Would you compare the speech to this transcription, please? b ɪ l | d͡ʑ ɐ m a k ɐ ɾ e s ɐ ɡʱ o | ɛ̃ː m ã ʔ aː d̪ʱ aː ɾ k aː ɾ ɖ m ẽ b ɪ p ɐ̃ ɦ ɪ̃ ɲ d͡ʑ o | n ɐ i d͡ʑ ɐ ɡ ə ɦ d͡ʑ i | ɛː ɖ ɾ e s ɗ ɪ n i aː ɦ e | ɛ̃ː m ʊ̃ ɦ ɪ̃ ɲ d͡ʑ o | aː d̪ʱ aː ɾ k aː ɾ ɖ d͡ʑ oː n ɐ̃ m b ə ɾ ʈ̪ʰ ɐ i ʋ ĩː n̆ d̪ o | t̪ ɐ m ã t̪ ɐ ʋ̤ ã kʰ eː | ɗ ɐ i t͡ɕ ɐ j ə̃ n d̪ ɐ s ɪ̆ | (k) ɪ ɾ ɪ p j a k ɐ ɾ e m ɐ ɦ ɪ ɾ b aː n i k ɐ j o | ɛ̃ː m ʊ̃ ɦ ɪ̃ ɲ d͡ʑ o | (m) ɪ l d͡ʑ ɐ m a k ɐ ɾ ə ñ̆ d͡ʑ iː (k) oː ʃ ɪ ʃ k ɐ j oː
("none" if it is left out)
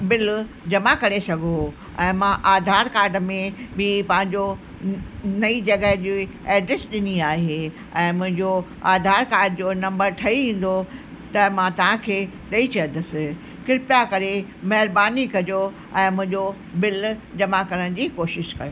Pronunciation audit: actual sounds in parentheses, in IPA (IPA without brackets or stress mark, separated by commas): k, b, k